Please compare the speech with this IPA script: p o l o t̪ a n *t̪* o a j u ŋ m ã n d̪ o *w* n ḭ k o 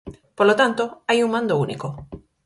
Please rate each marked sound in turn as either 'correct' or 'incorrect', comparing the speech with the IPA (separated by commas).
correct, incorrect